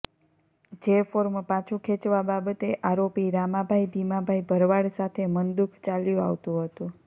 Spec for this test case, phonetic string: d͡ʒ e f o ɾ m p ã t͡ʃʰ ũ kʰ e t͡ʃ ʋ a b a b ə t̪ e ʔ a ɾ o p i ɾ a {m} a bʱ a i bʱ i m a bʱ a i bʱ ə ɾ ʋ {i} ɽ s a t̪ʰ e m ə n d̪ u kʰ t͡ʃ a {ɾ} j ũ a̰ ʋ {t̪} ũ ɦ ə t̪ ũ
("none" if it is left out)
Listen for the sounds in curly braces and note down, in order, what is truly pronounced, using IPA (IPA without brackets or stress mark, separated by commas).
m, a, l, t̪